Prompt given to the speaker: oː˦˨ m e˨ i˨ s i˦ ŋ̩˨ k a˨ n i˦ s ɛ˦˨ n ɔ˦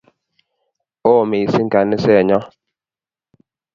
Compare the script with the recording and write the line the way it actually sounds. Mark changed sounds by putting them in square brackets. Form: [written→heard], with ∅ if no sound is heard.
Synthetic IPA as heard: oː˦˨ m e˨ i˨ s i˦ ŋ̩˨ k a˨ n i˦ s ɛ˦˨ [n→ɲ] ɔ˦